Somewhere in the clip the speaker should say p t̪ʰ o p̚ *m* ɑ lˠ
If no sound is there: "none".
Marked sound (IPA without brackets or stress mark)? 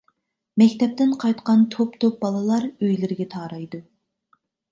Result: b